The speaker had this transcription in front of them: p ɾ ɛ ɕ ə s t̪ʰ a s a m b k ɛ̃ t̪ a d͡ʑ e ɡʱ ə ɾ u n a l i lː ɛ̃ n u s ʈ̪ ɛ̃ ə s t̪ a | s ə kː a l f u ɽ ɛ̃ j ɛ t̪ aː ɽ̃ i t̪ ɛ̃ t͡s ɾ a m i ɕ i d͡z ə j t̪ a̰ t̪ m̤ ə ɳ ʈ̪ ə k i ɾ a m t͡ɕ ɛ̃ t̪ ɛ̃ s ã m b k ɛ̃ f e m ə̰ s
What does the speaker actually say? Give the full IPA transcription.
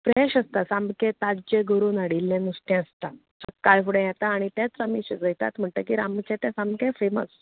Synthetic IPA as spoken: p ɾ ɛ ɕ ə s t̪ a s a m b k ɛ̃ t̪ a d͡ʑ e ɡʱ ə ɾ u n a ɽ i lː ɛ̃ n u s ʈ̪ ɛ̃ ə s t̪ a | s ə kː a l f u ɽ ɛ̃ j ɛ t̪ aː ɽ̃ i t̪ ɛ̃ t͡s ɾ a m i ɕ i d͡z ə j t̪ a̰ t̪ m̤ ə ɳ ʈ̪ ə k i ɾ a m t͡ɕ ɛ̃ t̪ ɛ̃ s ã m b k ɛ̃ f e m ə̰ s